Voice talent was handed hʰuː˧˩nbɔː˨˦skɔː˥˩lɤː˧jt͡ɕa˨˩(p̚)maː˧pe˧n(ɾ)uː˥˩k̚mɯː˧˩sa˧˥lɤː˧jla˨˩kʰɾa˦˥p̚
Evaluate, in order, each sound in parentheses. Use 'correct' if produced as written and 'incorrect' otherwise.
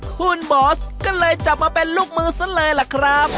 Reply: correct, incorrect

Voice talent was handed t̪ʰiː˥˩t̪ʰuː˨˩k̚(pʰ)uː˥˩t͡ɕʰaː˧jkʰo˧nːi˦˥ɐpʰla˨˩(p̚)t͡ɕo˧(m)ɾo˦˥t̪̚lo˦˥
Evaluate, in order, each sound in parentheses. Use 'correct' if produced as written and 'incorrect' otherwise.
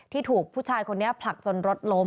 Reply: correct, incorrect, incorrect

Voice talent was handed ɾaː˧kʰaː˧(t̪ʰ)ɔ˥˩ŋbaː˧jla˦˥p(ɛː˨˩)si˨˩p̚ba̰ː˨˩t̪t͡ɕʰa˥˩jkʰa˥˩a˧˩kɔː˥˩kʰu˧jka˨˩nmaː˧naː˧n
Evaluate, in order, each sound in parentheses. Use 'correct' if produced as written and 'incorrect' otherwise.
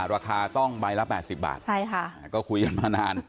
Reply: incorrect, correct

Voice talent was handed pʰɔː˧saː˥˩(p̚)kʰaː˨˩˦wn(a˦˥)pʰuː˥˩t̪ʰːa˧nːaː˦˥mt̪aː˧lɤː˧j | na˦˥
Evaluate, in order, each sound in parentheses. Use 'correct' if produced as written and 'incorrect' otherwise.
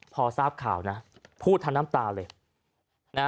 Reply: correct, correct

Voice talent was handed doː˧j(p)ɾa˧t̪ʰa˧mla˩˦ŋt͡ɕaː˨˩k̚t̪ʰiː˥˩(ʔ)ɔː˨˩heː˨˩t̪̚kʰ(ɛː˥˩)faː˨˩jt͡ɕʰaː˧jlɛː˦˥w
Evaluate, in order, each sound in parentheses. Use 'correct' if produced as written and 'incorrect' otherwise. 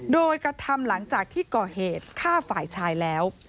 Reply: incorrect, incorrect, incorrect

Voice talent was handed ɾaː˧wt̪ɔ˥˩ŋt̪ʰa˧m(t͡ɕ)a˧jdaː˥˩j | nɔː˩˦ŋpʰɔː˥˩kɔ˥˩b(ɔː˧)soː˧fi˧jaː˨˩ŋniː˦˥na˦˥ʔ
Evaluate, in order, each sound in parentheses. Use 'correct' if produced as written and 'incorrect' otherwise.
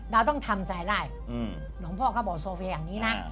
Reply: correct, incorrect

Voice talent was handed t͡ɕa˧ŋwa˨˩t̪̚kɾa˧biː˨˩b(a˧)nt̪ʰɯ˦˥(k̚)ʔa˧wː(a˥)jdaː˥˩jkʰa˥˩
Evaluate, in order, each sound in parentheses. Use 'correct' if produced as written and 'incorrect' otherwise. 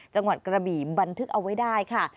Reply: correct, correct, correct

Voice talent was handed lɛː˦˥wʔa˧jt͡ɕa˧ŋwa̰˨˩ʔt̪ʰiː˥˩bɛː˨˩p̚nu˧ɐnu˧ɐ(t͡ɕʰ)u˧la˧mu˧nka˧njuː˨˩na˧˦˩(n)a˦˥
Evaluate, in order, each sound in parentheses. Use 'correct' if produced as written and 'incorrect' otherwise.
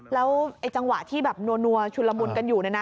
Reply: correct, correct

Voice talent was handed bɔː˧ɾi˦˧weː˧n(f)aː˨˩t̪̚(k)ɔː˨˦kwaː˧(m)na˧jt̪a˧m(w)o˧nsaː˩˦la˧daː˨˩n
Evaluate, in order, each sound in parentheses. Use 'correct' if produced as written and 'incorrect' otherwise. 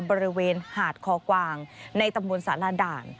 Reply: incorrect, incorrect, incorrect, incorrect

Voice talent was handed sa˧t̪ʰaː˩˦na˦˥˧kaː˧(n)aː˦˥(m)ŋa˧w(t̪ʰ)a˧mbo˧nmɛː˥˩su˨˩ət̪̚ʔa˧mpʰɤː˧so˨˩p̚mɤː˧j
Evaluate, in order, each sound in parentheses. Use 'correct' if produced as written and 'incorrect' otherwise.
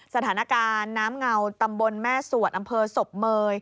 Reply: incorrect, correct, incorrect

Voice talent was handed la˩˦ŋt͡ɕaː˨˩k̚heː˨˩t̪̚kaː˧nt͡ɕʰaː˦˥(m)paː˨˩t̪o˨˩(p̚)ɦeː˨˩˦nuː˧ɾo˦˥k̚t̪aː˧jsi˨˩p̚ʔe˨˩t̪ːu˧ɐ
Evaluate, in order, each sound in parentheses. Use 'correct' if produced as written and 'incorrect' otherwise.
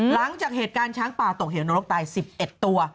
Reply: incorrect, incorrect

